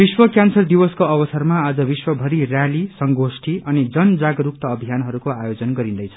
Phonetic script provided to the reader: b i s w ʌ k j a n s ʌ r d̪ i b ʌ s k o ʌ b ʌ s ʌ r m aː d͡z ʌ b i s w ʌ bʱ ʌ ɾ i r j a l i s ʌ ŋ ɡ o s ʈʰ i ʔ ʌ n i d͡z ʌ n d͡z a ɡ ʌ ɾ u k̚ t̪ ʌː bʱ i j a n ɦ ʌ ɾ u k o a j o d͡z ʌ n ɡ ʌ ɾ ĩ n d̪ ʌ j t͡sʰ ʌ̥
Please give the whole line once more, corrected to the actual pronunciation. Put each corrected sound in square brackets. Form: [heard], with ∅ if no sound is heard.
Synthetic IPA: b i s w ʌ k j a n s ʌ r d̪ i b ʌ s k o ʌ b ʌ s ʌ r m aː d͡z ʌ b i s w ʌ bʱ ʌ ɾ i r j a l i s ʌ ŋ ɡ o s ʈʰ i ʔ ʌ n i d͡z ʌ n d͡z a ɡ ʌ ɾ u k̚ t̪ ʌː bʱ i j a n ɦ ʌ ɾ u k o a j o d͡z ʌ n ɡ ʌ ɾ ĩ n d̪ ʌ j t͡sʰ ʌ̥